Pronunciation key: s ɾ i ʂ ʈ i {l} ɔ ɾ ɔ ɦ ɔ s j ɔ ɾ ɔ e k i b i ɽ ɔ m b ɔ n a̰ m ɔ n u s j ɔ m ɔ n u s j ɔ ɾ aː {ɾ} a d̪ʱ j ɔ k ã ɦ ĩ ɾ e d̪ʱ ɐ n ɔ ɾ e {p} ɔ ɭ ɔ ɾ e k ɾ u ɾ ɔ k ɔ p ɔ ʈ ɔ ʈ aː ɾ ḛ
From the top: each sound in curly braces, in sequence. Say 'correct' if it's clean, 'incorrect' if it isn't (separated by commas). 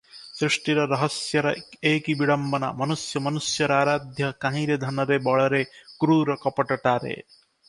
incorrect, correct, incorrect